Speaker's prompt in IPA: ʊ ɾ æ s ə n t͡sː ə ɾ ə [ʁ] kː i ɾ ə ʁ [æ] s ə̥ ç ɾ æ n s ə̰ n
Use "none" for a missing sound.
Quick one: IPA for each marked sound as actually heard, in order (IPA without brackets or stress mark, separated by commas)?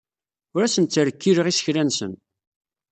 none, i